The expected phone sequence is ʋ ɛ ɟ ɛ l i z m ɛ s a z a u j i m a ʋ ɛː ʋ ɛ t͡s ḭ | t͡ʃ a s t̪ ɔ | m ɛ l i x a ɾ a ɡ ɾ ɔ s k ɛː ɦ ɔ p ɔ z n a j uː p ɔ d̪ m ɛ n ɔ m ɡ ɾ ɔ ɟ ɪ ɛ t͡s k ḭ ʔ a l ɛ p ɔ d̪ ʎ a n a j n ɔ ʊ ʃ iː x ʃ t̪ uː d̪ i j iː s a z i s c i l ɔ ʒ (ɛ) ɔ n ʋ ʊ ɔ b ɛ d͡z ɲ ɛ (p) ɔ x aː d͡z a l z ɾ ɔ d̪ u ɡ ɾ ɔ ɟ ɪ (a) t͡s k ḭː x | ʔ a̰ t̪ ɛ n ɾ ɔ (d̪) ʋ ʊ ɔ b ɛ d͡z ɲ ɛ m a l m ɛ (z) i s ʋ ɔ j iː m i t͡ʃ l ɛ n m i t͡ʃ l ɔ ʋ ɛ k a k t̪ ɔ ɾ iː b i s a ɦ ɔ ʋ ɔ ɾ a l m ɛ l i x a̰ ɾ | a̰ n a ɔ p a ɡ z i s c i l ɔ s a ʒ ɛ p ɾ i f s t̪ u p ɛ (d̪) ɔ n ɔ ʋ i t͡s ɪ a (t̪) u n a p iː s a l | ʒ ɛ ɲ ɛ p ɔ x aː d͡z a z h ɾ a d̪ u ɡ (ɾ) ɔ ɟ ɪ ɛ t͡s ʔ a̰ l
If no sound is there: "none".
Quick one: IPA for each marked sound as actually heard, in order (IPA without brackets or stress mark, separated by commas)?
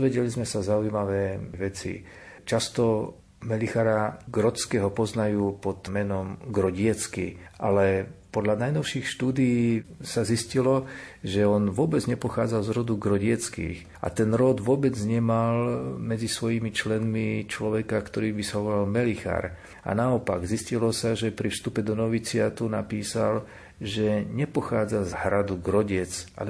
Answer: ɛ, p, ɛ, d̪, d͡z, d̪, t̪, ɾ